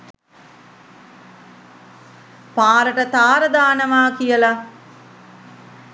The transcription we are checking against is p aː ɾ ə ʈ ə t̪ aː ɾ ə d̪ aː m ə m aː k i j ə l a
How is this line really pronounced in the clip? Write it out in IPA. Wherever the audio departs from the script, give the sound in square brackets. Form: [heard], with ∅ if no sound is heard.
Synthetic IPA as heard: p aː ɾ ə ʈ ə t̪ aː ɾ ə d̪ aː [n] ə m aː k i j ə l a

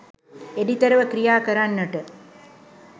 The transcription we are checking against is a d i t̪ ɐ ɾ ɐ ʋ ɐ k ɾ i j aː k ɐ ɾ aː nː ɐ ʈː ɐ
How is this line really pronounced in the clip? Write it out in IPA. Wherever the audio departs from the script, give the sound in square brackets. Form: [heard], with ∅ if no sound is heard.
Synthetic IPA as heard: [e] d i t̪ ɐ ɾ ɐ ʋ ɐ k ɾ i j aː k ɐ ɾ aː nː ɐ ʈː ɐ

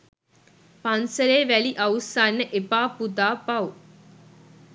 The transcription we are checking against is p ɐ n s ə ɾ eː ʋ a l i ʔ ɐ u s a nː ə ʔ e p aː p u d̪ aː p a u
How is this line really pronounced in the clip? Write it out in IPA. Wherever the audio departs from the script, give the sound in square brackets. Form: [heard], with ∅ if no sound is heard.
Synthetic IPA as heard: p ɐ n s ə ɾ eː ʋ [æ] l i ʔ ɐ u s a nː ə ʔ e p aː p u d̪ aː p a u

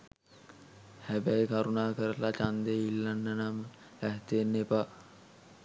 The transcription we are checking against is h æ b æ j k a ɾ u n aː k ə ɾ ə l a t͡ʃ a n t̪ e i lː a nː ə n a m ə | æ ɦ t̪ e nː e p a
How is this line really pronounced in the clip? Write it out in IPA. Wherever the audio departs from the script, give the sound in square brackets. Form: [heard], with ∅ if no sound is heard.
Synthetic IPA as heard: h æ b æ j k a ɾ u n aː k ə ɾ ə l a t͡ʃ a n [d̪] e i lː a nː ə n a m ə | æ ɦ t̪ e nː e p a

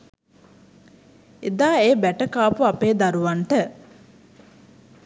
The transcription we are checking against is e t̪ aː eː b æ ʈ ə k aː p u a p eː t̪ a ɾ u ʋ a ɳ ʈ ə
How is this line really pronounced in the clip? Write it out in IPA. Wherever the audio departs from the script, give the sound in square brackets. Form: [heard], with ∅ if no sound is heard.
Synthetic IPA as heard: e [d̪] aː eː b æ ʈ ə k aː p u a p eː [d̪] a ɾ u ʋ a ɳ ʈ ə

